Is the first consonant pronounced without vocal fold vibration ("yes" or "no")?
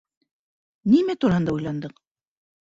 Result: no